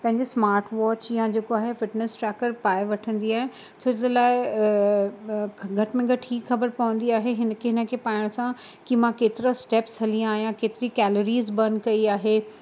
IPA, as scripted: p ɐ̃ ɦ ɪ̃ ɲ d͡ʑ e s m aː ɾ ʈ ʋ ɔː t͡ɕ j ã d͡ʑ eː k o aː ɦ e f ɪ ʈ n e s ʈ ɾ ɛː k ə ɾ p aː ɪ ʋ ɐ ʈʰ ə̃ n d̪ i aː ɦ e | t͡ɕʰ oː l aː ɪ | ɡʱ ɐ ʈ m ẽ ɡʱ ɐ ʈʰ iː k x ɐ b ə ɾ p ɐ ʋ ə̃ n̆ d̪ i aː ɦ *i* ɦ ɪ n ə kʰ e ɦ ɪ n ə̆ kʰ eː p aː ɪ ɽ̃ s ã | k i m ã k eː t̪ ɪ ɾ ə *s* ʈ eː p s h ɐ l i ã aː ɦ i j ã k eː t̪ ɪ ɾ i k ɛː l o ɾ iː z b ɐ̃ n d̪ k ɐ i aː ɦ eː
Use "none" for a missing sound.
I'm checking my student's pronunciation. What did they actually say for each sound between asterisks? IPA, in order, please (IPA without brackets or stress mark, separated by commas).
e, s